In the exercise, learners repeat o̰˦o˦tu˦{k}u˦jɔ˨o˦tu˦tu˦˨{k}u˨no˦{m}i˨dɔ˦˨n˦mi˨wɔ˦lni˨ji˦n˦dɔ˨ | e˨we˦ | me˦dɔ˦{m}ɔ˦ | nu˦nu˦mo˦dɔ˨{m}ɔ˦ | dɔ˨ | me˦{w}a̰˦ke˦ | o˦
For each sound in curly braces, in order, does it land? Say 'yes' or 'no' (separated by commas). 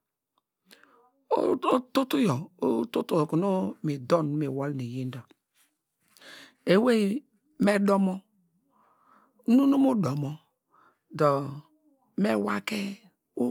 no, yes, yes, yes, yes, yes